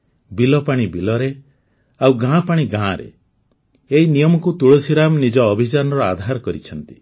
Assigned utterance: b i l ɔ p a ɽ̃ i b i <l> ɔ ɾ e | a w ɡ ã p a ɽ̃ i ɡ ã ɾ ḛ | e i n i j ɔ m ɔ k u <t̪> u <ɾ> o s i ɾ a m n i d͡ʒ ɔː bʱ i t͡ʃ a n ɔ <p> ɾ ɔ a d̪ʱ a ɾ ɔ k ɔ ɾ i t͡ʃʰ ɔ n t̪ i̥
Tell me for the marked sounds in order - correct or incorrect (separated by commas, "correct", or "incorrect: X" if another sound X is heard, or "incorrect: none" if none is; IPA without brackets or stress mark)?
correct, correct, incorrect: ɭ, incorrect: none